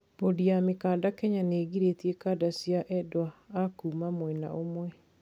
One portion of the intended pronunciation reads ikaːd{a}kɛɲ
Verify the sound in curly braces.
correct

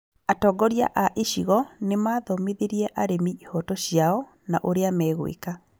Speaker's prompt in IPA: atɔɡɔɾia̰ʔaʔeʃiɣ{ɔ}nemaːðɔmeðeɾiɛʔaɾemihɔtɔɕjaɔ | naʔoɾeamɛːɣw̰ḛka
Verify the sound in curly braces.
correct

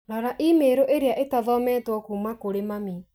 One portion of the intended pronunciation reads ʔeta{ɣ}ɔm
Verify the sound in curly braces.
incorrect: ð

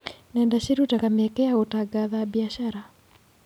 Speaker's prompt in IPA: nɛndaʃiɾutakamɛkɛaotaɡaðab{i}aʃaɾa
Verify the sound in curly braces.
correct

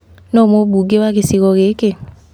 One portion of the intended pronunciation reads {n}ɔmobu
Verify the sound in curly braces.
correct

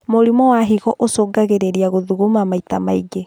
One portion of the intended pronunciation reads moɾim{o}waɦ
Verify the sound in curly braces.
incorrect: ɔ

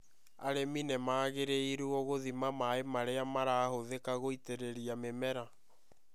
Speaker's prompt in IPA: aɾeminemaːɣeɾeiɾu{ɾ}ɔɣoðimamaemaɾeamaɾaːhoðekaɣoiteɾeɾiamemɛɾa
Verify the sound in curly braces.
incorrect: none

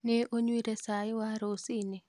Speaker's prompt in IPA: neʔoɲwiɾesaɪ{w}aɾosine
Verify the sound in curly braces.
correct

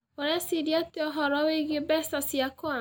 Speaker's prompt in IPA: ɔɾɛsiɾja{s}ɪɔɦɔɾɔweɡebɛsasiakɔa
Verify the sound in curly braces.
incorrect: t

